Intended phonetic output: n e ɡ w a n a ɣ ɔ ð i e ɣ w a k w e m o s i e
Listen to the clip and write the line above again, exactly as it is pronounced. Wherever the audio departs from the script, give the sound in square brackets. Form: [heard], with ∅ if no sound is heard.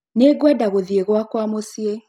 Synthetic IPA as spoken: n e ɡ w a [d] a ɣ [o] ð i e ɣ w a k w [a] m o s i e